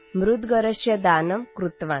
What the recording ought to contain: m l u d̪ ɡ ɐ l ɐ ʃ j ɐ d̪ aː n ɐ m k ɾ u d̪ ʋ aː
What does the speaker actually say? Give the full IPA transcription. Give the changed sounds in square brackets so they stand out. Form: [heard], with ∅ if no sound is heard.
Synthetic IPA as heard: m [ɾ] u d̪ ɡ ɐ [ɾ] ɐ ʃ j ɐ d̪ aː n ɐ m k ɾ u [t̪] ʋ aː